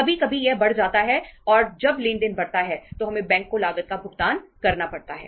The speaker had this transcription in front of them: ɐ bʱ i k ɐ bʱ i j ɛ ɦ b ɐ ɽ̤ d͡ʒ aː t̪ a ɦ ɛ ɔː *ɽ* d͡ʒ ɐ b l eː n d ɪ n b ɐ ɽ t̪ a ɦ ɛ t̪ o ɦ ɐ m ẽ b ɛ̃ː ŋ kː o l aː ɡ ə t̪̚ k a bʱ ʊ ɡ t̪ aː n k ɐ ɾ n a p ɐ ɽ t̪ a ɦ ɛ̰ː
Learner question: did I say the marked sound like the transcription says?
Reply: no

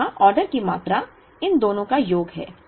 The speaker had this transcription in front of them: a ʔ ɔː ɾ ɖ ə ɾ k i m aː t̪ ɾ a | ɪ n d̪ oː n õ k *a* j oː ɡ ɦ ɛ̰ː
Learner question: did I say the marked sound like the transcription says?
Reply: yes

